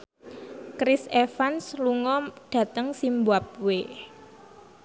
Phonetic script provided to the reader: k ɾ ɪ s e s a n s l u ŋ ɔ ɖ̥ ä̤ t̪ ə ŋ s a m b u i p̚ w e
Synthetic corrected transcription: k ɾ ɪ s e f a n s l u ŋ ɔ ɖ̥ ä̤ t̪ ə ŋ s i m b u a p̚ w e